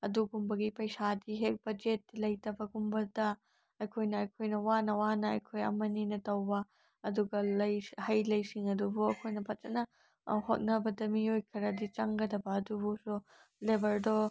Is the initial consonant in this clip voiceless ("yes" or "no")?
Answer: no